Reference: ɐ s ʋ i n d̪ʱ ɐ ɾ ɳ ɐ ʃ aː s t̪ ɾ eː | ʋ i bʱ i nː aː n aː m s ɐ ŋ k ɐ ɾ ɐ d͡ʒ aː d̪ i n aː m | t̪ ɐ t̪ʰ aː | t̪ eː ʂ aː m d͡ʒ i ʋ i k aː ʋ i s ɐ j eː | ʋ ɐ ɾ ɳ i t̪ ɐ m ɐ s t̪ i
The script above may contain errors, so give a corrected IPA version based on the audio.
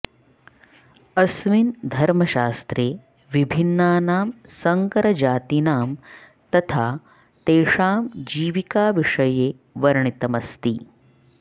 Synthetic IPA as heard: ɐ s ʋ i n d̪ʱ ɐ ɾ m ɐ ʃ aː s t̪ ɾ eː | ʋ i bʱ i nː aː n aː m s ɐ ŋ k ɐ ɾ ɐ d͡ʒ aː t̪ i n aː m | t̪ ɐ t̪ʰ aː | t̪ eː ʂ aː m d͡ʒ iː ʋ i k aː ʋ i ʂ ɐ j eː | ʋ ɐ ɾ ɳ i t̪ ɐ m ɐ s t̪ i